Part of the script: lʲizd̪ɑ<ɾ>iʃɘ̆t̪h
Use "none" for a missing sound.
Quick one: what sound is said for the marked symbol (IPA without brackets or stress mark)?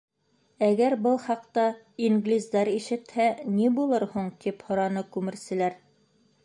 ɾ